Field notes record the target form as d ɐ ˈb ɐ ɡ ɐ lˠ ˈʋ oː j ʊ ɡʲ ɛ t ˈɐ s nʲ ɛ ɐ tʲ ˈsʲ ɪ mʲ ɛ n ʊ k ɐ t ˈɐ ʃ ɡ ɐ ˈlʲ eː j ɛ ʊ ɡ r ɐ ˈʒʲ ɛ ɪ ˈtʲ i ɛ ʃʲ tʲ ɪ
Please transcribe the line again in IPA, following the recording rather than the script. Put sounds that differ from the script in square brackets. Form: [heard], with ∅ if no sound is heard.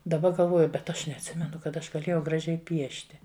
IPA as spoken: d ɐ ˈb ɐ ɡ ɐ lˠ ˈʋ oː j ʊ [bʲ] ɛ t ˈɐ [ʃ] nʲ ɛ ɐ tʲ ˈsʲ ɪ mʲ ɛ n ʊ k ɐ t ˈɐ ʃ ɡ ɐ ˈlʲ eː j ɛ ʊ ɡ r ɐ ˈʒʲ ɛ ɪ [ˈpʲ] i ɛ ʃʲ tʲ ɪ